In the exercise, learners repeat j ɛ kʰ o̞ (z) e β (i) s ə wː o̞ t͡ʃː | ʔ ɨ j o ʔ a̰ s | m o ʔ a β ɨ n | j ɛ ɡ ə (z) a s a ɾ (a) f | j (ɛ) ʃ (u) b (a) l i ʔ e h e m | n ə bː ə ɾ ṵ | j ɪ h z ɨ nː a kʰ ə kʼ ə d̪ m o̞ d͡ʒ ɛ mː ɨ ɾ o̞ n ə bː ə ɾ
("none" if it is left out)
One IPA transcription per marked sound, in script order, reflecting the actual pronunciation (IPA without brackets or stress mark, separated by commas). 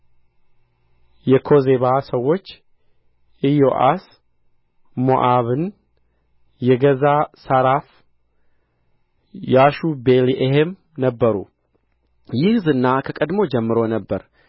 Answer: z, a, z, a, a, u, e